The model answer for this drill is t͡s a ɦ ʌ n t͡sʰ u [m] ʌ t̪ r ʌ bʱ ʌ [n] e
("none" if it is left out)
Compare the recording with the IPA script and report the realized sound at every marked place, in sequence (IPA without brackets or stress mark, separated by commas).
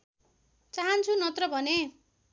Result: n, n